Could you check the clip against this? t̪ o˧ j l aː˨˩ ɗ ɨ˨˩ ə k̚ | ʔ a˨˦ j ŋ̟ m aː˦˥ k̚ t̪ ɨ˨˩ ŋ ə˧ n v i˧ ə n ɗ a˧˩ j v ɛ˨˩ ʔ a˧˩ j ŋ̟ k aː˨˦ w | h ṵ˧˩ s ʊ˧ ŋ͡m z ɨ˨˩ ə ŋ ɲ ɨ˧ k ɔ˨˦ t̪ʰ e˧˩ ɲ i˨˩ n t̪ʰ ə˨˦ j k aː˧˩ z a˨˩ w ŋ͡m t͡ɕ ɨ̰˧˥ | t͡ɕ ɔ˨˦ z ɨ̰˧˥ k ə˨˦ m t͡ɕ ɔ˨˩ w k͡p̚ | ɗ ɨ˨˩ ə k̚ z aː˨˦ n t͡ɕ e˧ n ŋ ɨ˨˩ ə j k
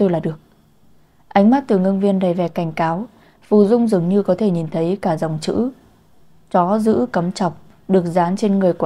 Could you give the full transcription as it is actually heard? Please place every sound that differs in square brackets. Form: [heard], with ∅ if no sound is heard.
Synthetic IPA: t̪ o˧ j l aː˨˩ ɗ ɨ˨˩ ə k̚ | ʔ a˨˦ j ŋ̟ m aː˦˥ [t̚] t̪ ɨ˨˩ ŋ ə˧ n v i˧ ə n ɗ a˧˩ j v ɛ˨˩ [k] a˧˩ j ŋ̟ k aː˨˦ w | [f] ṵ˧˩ [z] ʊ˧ ŋ͡m z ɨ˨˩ ə ŋ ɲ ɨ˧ k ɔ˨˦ t̪ʰ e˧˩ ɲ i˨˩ n t̪ʰ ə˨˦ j k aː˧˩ z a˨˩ w ŋ͡m t͡ɕ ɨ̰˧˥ | t͡ɕ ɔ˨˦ z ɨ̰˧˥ k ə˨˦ m t͡ɕ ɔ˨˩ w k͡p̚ | ɗ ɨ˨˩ ə k̚ z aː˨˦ n t͡ɕ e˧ n ŋ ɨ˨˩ ə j k